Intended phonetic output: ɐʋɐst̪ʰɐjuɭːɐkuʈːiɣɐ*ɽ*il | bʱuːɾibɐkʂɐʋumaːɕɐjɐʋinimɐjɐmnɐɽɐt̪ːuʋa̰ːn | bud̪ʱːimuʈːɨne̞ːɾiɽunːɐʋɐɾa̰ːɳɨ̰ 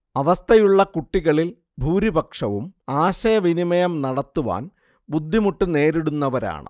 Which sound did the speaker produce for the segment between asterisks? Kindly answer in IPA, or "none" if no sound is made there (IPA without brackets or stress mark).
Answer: ɭ